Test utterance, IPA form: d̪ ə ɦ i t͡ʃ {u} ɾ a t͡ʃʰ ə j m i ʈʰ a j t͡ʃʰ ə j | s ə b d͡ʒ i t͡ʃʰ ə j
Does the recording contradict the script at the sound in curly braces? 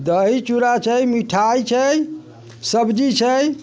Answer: no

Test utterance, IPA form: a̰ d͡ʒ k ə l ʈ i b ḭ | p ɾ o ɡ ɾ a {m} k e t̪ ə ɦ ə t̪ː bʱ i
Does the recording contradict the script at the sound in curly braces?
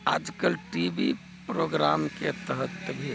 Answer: no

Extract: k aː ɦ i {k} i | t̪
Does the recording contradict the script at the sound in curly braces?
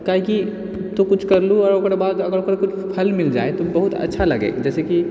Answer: no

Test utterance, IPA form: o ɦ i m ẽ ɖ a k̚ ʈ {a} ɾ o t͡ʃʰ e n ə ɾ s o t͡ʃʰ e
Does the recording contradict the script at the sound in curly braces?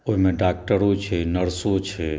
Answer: yes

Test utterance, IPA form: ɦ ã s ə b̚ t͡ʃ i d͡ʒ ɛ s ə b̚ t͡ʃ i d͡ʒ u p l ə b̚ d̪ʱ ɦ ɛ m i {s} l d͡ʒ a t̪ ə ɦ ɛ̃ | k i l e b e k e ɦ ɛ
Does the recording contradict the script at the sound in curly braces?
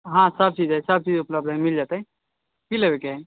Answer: yes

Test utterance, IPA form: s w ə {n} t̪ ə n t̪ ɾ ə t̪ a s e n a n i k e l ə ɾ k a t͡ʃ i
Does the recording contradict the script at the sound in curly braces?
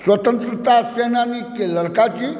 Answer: yes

